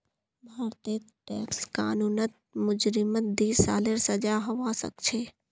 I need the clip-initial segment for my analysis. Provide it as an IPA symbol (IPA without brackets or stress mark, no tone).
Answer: bʱ